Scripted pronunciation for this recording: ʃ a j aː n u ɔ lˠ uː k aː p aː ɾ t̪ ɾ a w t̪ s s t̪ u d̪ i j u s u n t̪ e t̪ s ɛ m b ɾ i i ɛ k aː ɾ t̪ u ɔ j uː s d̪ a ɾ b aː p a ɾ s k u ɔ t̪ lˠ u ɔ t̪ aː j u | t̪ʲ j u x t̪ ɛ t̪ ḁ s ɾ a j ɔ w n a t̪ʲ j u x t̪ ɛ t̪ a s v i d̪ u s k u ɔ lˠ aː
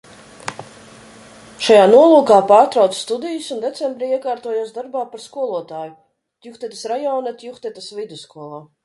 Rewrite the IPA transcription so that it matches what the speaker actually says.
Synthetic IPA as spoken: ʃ a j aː n u ɔ lˠ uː k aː p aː ɾ t̪ ɾ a w t̪ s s t̪ u d̪ i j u s u n d̪ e t̪ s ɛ m b ɾ i i ɛ k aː ɾ t̪ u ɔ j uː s d̪ a ɾ b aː p a ɾ s k u ɔ lˠ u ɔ t̪ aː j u | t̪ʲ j u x t̪ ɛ t̪ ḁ s ɾ a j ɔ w n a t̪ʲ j u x t̪ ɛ t̪ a s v i d̪ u s k u ɔ lˠ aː